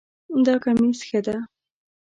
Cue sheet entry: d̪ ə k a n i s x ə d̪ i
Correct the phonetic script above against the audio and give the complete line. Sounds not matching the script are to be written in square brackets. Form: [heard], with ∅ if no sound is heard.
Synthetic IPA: d̪ [ɑ] k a [m] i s x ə d̪ [a]